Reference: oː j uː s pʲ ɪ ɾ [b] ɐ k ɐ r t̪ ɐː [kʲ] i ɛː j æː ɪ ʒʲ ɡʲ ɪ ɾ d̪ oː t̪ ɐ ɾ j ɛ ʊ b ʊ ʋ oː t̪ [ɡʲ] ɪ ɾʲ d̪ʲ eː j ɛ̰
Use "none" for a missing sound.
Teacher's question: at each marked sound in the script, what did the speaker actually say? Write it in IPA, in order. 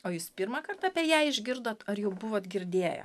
m, pʲ, ɡʲ

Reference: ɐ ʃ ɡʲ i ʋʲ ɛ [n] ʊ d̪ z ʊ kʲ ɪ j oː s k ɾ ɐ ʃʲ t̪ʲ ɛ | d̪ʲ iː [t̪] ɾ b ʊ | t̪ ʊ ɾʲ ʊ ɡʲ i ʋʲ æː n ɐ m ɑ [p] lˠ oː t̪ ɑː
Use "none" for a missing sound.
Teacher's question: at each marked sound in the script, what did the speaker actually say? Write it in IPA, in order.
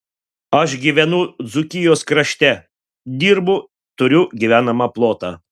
n, none, p

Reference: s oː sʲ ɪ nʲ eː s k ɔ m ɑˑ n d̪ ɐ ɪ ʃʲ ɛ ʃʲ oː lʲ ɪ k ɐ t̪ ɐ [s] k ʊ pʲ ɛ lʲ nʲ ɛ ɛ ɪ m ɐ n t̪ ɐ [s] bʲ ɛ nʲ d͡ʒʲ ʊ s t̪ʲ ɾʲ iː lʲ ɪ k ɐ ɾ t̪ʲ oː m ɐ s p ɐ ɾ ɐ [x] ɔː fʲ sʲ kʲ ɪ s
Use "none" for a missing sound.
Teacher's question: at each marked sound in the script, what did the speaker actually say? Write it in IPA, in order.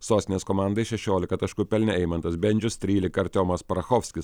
ʃ, s, x

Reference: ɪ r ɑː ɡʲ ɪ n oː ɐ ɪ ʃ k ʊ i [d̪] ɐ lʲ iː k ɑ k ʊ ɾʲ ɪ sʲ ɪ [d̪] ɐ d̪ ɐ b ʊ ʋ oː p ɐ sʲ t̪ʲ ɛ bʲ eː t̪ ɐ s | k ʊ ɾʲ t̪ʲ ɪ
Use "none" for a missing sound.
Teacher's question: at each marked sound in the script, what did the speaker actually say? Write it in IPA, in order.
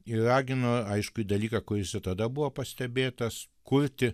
d̪, t̪

